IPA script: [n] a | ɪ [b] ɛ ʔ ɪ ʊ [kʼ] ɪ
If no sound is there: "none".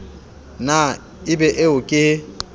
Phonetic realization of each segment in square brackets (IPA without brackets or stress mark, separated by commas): n, b, kʼ